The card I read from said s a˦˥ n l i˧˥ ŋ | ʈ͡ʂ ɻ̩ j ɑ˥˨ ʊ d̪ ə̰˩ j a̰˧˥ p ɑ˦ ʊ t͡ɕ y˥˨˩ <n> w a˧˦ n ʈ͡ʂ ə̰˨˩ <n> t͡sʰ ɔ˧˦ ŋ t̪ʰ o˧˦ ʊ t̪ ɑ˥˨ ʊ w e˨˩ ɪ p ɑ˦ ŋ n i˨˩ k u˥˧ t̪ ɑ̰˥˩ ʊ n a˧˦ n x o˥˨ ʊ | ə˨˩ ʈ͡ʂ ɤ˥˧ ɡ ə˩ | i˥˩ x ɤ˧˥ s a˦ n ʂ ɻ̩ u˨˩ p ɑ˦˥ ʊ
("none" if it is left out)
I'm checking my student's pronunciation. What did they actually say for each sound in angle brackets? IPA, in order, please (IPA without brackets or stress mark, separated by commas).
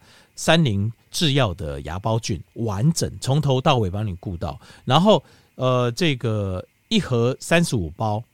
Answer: n, ŋ